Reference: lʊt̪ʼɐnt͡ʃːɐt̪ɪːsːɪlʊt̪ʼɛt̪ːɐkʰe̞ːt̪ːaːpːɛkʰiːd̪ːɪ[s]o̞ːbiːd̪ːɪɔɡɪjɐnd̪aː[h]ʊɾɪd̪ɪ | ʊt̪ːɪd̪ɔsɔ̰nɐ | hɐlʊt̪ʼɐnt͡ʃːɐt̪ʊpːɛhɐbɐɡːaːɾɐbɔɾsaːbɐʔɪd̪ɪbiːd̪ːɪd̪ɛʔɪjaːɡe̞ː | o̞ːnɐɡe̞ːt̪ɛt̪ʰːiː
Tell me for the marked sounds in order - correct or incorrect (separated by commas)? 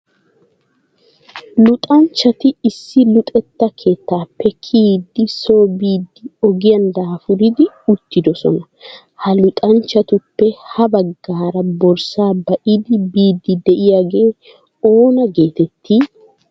correct, incorrect